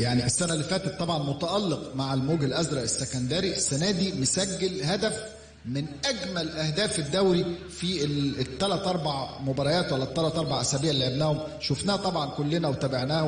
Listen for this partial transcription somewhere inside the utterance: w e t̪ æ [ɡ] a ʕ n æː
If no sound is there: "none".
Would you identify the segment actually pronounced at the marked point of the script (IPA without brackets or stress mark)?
b